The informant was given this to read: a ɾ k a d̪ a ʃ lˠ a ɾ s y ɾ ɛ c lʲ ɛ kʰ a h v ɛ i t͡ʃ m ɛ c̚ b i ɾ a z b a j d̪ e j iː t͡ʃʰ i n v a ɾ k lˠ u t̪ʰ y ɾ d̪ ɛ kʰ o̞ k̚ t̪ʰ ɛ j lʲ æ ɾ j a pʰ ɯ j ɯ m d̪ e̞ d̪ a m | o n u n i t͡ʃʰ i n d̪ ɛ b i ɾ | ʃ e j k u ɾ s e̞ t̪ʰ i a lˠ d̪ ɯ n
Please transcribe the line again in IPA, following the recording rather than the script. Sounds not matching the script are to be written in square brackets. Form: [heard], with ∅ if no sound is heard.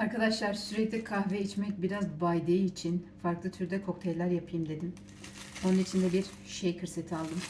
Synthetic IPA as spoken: a ɾ k a d̪ a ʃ lˠ a ɾ s y ɾ ɛ c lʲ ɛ kʰ a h v ɛ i t͡ʃ m ɛ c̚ b i ɾ a z b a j d̪ e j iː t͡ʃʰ i n [f] a ɾ k lˠ [ɯ] t̪ʰ y ɾ d̪ ɛ kʰ o̞ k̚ t̪ʰ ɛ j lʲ æ ɾ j a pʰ ɯ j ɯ m d̪ e̞ d̪ [i] m | o n u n i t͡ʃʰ i n d̪ ɛ b i ɾ | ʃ e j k [ɯ] ɾ s e̞ t̪ʰ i a lˠ d̪ ɯ [m]